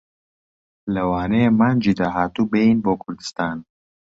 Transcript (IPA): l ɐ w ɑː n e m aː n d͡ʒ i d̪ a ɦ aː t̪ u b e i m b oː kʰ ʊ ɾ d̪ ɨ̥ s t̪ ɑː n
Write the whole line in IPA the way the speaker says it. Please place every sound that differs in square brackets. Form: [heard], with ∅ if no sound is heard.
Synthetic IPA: l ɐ w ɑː n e m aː n d͡ʒ i d̪ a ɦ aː t̪ u b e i [n] b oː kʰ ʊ ɾ d̪ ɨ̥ s t̪ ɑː n